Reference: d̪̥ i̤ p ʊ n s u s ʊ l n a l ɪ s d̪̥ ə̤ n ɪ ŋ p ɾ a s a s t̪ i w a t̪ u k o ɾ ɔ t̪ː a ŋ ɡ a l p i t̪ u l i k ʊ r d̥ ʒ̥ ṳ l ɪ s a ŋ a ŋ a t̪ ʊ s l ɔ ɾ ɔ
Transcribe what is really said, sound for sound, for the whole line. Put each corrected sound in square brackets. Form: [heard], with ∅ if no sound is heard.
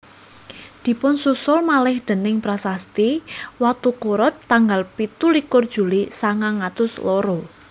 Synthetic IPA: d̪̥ i̤ p ʊ n s u s ʊ l [m] a l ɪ [h] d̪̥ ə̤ n ɪ ŋ p ɾ a s a s t̪ i w a t̪ u k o ɾ ɔ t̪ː a ŋ ɡ a l p i t̪ u l i k ʊ r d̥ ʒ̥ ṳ l [i] s a ŋ a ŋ a t̪ ʊ s l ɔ ɾ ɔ